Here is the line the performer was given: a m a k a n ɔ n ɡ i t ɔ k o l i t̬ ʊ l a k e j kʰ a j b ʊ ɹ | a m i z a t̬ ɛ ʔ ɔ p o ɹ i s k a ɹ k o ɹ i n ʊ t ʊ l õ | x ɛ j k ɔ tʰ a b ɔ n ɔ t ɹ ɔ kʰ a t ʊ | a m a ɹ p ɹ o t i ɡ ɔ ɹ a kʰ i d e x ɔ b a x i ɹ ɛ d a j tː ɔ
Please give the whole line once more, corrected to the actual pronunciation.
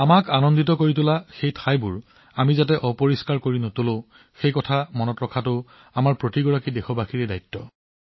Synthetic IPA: a m a k a n ɔ n d i t ɔ k o ɹ i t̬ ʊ l a x e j tʰ a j b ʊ ɹ | a m i z a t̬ ɛ ʔ ɔ p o ɹ i s k a ɹ k o ɹ i n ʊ t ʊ l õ | x e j k ɔ tʰ a m ɔ n ɔ t ɹ ɔ kʰ a t ʊ | a m a ɹ p ɹ o t i ɡ ɔ ɹ a k i d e x ɔ b a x i ɹ ɛ d a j tː ɔ